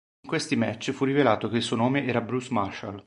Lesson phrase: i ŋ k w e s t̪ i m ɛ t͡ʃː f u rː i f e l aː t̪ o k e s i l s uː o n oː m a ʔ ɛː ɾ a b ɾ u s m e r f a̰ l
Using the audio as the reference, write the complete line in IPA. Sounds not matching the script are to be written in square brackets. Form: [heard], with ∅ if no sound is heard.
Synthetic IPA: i ŋ k w e s t̪ i m ɛ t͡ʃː f u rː i [v] e l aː t̪ o k e [∅] i l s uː o n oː m [e] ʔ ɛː ɾ a b ɾ u s m [a] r [ʃ] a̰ l